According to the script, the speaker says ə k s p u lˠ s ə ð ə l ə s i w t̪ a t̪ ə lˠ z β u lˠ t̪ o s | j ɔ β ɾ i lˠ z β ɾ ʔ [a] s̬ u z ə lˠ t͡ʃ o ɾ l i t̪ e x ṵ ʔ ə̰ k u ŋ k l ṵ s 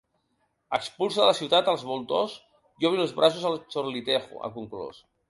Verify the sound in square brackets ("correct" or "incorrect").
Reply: correct